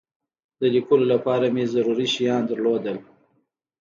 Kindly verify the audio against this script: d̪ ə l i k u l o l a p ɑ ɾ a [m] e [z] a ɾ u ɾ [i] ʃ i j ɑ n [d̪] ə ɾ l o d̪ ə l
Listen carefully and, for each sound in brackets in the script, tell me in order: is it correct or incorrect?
correct, correct, correct, correct

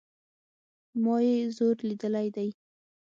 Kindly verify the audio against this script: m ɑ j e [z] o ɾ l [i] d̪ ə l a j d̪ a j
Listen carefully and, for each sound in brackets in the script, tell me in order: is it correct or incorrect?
correct, correct

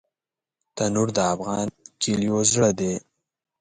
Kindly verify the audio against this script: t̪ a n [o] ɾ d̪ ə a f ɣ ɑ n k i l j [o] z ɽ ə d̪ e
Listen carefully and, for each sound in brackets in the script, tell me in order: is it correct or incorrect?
incorrect, correct

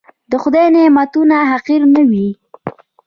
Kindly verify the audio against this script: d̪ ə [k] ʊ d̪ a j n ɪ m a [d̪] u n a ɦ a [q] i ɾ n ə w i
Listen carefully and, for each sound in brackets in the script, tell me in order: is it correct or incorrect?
incorrect, incorrect, correct

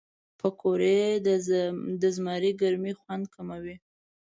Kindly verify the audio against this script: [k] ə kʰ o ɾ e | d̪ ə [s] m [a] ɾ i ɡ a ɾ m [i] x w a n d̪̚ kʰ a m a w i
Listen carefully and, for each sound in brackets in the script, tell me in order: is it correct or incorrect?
incorrect, incorrect, incorrect, correct

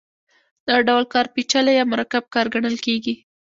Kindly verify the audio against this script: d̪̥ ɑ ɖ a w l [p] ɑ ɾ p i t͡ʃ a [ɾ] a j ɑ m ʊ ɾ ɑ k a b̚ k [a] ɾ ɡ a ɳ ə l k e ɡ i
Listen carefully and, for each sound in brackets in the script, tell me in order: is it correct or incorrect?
incorrect, incorrect, incorrect

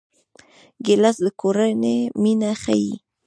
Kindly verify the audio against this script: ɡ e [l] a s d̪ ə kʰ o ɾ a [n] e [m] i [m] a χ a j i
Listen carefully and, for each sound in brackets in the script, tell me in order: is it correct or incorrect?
correct, correct, correct, incorrect

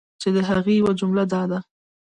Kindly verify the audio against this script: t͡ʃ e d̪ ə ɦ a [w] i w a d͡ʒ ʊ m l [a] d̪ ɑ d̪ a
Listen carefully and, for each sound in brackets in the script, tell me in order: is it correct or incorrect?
incorrect, correct

